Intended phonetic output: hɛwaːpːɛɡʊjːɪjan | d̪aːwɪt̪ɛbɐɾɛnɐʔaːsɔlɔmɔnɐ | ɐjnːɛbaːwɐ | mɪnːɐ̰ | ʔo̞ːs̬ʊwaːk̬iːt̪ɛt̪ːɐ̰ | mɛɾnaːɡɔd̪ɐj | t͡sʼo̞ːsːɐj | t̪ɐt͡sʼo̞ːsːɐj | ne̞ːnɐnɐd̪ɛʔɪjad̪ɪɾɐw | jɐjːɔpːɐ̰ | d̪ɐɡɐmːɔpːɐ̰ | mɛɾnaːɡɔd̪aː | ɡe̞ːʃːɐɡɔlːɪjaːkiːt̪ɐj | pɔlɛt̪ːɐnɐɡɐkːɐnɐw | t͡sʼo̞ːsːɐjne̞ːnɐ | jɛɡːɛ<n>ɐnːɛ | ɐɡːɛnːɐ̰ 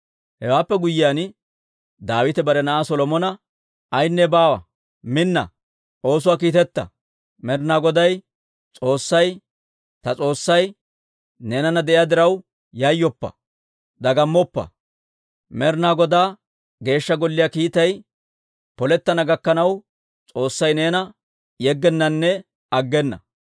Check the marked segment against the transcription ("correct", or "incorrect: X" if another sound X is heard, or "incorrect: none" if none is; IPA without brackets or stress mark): incorrect: nː